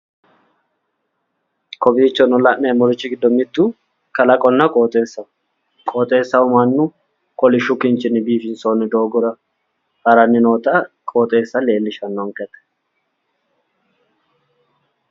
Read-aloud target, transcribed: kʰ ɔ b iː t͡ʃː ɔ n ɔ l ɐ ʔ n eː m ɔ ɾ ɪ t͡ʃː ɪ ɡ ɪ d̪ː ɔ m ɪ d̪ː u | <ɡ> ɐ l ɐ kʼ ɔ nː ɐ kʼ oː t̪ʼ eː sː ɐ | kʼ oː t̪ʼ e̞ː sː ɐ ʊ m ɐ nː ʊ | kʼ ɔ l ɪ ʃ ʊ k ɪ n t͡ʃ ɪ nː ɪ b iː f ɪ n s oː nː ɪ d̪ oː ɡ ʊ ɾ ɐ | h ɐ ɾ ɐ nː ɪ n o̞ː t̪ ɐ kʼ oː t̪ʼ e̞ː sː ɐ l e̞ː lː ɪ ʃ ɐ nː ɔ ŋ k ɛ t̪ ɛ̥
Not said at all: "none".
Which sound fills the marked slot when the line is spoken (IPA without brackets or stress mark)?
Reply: k